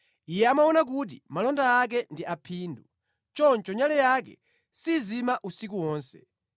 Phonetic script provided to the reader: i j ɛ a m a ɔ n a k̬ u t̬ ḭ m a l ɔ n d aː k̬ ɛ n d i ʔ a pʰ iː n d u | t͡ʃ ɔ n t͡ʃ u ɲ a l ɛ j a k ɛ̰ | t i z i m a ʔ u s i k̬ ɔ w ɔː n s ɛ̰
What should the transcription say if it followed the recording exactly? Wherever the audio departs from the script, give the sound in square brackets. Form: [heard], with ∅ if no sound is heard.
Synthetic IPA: i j ɛ a m a ɔ n a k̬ u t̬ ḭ m a l ɔ n d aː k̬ ɛ n d i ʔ a pʰ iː n d u | t͡ʃ ɔ n t͡ʃ [ɔ] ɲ a l ɛ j a k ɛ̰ | [s] i z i m a ʔ u s i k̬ [u] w ɔː n s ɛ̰